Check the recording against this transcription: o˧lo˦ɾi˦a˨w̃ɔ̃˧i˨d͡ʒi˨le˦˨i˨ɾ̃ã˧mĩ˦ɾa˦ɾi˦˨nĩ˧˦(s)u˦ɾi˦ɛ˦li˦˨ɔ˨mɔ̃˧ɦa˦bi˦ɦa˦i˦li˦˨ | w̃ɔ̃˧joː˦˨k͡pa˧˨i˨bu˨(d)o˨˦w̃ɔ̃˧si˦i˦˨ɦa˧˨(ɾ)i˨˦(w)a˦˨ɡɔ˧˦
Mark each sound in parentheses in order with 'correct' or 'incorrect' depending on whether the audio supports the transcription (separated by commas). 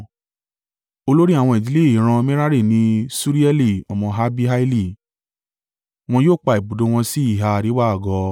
correct, correct, correct, correct